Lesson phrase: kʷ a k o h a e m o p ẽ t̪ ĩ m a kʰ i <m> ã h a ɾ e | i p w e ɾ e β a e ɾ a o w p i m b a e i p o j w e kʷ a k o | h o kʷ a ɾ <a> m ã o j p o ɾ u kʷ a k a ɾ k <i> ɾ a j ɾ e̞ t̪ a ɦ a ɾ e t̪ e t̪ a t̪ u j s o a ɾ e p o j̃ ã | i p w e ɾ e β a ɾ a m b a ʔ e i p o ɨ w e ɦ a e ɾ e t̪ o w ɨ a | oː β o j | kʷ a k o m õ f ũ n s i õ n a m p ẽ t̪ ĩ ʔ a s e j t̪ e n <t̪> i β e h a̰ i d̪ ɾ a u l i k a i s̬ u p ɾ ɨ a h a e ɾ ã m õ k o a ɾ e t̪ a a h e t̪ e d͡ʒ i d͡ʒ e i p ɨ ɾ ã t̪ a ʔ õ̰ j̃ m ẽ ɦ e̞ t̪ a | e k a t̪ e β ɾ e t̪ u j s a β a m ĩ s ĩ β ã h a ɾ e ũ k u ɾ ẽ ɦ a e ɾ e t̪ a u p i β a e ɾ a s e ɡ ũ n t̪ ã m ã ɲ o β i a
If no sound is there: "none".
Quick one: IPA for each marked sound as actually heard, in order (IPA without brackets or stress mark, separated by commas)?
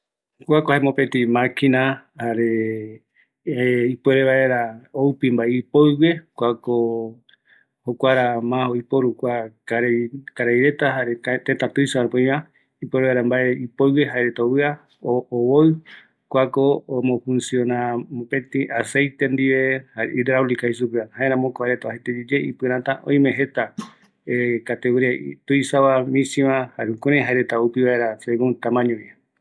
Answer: n, a, a, d̪